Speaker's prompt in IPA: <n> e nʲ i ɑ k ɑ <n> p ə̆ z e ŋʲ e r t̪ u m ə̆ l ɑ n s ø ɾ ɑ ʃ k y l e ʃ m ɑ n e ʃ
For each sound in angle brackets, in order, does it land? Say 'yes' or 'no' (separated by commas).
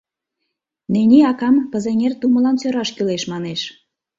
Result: yes, no